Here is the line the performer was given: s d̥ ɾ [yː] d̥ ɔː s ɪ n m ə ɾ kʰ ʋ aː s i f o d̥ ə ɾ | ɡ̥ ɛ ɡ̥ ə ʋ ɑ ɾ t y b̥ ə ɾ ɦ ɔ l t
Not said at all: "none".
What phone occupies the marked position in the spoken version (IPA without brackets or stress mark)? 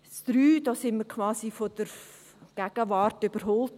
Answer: yː